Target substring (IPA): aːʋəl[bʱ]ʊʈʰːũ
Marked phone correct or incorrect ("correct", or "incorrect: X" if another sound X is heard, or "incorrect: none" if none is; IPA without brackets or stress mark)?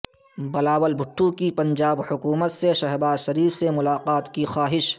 correct